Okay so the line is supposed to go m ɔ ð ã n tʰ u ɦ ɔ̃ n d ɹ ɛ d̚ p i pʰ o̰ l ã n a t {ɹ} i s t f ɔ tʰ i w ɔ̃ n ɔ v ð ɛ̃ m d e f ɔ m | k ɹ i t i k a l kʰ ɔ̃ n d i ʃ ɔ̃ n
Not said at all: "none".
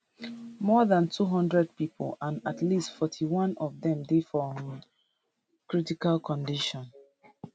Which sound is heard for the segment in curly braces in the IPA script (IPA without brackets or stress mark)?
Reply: l